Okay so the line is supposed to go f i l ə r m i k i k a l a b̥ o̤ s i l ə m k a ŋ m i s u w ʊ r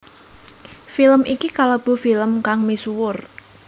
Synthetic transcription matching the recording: f i l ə m i k i k a l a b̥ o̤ f i l ə m k a ŋ m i s u w ʊ r